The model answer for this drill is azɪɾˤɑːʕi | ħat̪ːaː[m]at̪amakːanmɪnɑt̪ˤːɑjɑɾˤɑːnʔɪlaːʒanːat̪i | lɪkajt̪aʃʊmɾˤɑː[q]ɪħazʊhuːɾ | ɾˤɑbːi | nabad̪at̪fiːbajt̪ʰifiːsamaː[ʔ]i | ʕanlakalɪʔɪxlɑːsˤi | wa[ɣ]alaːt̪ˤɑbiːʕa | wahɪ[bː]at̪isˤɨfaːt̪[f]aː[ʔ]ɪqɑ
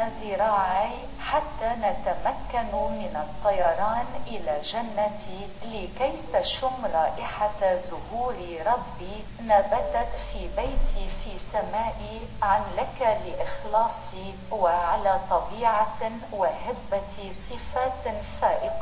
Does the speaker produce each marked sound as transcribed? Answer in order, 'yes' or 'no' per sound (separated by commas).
no, no, yes, no, yes, yes, yes